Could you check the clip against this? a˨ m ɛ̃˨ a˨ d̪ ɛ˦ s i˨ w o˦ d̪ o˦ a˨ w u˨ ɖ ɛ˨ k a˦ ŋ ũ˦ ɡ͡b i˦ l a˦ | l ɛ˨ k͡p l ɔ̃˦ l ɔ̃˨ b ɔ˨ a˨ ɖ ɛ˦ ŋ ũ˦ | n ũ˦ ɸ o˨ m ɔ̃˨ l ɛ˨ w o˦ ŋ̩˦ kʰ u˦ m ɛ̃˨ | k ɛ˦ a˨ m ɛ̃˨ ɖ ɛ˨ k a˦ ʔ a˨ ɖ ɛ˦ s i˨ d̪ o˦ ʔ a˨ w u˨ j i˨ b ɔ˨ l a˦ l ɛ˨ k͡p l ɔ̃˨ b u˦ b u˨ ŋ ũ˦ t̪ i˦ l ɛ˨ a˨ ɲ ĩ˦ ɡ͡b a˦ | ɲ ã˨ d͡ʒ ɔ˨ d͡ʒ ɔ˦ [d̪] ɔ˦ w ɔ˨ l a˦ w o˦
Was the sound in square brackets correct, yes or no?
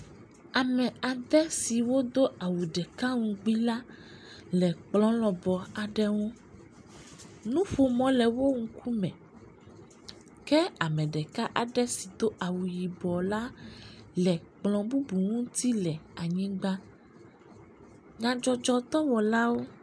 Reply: no